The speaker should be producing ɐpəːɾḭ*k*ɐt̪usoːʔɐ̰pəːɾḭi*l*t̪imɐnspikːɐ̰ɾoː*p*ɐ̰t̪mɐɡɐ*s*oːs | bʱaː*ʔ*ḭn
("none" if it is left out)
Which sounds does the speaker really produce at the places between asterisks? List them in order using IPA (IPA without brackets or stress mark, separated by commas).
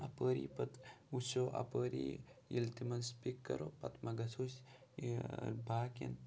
p, l, p, s, k